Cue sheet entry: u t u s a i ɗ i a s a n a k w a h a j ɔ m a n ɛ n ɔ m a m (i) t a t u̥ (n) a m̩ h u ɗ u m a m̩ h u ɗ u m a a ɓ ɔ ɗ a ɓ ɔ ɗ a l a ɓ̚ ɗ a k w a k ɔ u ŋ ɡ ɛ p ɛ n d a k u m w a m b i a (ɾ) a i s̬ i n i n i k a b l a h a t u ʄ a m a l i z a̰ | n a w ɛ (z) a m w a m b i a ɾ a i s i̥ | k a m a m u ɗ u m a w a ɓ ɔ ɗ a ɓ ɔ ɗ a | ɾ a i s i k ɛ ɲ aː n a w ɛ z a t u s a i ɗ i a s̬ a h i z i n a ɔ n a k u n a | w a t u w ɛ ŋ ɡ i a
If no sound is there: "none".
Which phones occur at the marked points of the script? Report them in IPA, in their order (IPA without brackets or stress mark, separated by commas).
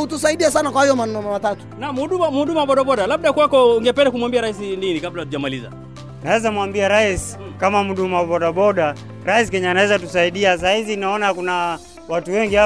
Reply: a, n, ɾ, z